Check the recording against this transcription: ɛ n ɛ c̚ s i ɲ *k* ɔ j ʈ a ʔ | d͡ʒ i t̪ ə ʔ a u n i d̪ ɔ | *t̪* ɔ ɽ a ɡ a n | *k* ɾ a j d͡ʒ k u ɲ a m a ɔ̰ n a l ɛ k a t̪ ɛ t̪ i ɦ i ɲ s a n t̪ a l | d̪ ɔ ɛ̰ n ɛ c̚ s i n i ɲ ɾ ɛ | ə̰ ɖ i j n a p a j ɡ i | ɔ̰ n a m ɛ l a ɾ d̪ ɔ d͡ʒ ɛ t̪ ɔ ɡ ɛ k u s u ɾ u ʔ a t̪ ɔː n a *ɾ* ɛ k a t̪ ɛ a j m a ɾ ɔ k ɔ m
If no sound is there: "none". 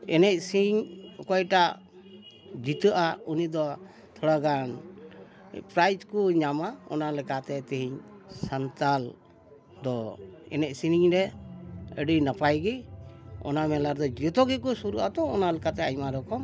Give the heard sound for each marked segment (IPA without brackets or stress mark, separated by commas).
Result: k, t̪ʰ, p, l